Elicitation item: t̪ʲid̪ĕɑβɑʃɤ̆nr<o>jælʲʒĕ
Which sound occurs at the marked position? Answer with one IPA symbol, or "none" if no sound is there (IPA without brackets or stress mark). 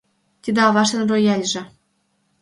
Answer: o